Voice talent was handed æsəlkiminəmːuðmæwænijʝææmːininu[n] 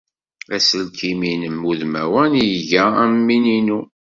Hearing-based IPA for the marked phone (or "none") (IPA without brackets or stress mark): none